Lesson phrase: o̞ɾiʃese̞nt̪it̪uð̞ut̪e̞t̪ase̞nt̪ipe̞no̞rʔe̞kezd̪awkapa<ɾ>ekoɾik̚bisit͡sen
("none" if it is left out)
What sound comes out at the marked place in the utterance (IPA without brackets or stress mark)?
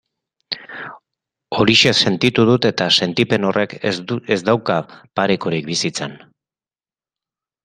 ɾ